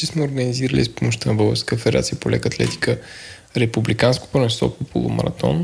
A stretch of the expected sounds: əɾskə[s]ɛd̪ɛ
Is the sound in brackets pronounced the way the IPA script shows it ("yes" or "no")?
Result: no